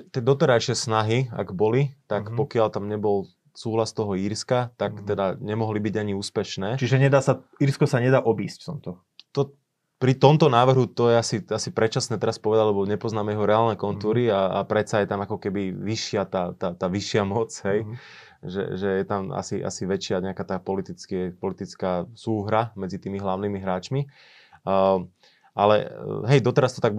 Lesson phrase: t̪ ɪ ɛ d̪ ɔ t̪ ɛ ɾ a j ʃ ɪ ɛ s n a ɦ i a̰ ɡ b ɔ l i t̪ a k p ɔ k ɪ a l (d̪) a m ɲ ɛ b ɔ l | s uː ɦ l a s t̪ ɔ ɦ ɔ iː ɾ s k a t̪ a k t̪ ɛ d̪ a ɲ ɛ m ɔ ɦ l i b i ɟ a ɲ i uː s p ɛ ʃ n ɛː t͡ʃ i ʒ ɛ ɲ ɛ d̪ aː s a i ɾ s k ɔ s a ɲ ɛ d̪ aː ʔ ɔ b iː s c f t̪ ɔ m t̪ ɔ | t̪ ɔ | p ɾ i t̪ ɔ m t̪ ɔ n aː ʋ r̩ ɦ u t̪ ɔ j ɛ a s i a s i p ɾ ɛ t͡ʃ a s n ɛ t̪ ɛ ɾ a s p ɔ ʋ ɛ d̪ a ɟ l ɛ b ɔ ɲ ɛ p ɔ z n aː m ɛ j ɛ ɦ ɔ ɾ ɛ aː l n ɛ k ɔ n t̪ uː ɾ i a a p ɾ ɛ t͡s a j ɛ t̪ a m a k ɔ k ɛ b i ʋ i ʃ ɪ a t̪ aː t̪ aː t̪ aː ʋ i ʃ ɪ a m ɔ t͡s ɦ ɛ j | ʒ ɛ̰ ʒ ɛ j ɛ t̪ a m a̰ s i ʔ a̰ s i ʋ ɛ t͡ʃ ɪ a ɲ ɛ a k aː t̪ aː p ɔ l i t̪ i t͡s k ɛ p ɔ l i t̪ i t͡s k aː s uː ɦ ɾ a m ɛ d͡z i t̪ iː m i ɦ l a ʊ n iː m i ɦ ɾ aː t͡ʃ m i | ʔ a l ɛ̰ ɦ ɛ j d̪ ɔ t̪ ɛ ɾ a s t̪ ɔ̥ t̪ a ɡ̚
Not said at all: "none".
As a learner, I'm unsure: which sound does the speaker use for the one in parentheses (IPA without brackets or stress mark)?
t̪